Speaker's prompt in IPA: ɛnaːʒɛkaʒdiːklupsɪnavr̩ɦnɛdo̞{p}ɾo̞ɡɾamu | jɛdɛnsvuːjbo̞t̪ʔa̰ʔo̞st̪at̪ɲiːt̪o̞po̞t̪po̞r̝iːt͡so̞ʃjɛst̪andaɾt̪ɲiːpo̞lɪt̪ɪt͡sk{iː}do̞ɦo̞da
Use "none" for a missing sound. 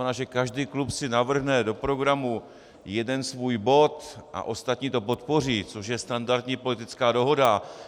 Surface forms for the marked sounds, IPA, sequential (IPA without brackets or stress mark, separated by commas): p, aː